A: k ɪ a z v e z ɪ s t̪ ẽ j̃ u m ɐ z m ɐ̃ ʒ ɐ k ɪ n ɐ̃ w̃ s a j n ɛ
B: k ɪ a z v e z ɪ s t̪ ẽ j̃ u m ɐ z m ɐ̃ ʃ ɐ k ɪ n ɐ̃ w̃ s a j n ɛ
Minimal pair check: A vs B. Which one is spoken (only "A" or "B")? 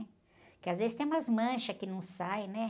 B